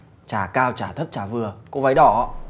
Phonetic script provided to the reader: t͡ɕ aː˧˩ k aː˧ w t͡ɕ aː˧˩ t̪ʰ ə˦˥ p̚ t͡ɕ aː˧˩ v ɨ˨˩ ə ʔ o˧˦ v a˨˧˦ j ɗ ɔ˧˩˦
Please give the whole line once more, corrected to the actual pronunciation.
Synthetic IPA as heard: t͡ɕ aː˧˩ k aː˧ w t͡ɕ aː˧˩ t̪ʰ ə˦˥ p̚ t͡ɕ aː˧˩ v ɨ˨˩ ə k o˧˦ v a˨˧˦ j ɗ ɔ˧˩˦

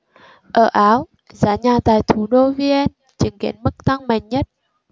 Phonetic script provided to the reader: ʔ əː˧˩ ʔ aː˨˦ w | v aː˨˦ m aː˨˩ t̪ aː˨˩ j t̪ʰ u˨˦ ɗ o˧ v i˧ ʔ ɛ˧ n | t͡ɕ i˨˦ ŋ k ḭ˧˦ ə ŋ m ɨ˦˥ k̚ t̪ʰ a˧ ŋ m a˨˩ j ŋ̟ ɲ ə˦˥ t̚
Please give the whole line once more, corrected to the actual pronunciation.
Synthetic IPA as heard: ʔ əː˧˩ ʔ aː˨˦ w | z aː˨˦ ɲ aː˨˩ t̪ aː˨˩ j t̪ʰ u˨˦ ɗ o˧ v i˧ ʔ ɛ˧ n | t͡ɕ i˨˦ ŋ k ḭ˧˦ ə n m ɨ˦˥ k̚ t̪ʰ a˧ ŋ m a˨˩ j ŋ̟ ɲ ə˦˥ t̚

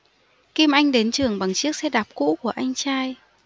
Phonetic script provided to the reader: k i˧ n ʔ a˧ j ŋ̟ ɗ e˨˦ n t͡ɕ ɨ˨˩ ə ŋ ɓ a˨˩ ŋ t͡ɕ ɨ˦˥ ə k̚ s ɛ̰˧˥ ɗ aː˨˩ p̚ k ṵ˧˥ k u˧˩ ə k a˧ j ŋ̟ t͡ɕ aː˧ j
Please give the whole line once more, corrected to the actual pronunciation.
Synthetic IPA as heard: k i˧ m ʔ a˧ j ŋ̟ ɗ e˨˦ n t͡ɕ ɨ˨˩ ə ŋ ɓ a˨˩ ŋ t͡ɕ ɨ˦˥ ə k̚ s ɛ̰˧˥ ɗ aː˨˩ p̚ k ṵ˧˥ k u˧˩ ə ʔ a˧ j ŋ̟ t͡ɕ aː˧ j

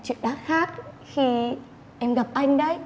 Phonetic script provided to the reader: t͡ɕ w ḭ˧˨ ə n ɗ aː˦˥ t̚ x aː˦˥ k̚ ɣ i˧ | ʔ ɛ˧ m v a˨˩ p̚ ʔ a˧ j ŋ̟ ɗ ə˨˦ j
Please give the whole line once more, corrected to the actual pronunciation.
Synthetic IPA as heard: t͡ɕ w ḭ˧˨ ə n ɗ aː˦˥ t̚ x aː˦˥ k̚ x i˧ | ʔ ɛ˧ m ɣ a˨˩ p̚ ʔ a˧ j ŋ̟ ɗ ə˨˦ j

